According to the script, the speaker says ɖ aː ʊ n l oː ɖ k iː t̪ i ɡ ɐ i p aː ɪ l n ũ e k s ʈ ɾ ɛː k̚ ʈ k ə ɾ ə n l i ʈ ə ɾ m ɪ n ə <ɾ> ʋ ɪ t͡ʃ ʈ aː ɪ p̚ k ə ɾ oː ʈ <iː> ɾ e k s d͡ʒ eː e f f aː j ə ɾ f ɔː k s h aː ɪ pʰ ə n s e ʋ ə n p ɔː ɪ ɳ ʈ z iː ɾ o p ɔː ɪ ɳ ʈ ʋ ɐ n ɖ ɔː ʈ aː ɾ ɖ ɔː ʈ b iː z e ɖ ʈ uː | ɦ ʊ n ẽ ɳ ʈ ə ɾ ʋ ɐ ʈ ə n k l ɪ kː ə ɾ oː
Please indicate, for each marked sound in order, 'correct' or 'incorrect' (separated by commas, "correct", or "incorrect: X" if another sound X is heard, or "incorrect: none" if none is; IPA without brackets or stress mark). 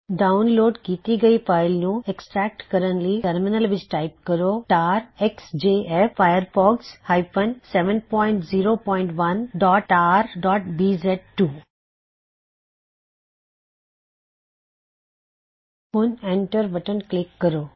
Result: incorrect: l, incorrect: aː